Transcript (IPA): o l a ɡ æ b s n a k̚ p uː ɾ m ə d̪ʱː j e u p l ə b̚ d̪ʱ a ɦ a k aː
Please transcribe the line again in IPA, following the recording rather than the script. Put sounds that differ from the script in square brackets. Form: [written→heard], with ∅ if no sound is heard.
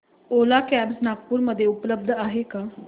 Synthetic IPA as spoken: o l a [ɡ→k] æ b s n a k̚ p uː ɾ m ə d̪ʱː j e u p l ə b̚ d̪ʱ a ɦ [a→e] k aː